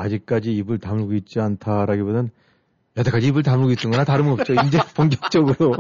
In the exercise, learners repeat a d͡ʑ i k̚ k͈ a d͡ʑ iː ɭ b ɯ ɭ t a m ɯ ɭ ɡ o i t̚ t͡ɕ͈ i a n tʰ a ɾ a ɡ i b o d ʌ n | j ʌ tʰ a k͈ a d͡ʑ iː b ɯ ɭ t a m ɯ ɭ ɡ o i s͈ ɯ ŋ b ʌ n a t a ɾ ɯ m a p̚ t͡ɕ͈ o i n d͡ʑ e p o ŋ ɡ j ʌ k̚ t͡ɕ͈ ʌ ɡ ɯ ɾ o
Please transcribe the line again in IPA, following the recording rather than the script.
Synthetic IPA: a d͡ʑ i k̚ k͈ a d͡ʑ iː b ɯ ɭ t a m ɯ ɭ ɡ o i t̚ t͡ɕ͈ i a n tʰ a ɾ a ɡ i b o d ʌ n | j ʌ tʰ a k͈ a d͡ʑ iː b ɯ ɭ t a m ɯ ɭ ɡ o i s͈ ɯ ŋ ɡ ʌ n a t a ɾ ɯ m ʌ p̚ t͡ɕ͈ o i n d͡ʑ e p o ŋ ɡ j ʌ k̚ t͡ɕ͈ ʌ ɡ ɯ ɾ o